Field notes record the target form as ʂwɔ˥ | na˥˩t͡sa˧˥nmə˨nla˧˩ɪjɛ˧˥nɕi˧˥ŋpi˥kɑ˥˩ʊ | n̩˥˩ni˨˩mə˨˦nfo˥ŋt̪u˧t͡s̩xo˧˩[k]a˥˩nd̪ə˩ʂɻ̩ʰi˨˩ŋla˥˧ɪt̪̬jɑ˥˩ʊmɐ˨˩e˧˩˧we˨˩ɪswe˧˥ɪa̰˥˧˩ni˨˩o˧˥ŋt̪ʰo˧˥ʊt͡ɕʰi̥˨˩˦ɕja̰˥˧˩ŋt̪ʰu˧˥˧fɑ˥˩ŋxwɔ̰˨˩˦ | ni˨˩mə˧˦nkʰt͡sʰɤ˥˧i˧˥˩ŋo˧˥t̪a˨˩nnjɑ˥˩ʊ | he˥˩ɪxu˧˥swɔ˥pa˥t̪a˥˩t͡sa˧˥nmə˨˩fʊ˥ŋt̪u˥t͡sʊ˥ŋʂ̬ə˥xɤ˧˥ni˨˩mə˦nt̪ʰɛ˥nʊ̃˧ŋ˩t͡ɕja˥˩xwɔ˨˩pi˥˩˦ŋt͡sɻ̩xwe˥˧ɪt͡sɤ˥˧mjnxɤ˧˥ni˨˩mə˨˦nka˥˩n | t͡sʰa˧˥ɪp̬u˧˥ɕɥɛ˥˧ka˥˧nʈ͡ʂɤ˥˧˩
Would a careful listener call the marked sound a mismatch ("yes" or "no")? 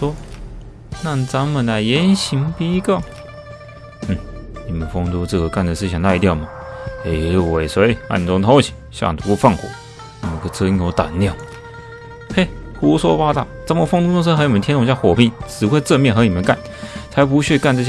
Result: no